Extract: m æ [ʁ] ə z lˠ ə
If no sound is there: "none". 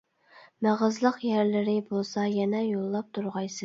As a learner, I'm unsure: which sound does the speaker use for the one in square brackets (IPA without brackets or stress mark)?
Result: ʁ